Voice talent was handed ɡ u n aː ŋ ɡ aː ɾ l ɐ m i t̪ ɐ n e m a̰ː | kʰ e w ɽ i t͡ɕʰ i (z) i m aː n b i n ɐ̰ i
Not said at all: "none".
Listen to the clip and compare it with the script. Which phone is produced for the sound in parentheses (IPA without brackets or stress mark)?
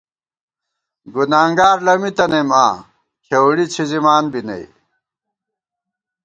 z